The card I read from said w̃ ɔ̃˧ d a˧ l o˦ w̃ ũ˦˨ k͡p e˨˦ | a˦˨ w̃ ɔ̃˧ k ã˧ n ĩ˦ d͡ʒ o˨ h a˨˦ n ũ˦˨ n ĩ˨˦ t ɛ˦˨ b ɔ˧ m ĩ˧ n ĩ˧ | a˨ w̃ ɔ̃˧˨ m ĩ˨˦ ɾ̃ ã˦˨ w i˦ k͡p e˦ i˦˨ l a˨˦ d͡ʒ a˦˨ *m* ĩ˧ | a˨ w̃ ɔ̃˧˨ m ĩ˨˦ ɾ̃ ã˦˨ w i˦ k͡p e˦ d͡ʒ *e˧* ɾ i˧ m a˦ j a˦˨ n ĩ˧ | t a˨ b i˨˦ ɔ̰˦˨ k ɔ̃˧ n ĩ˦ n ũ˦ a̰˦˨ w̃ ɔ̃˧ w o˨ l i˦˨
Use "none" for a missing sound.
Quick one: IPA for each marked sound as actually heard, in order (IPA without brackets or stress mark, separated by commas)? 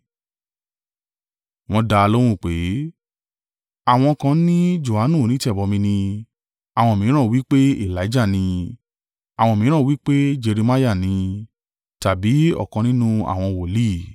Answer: n, e˧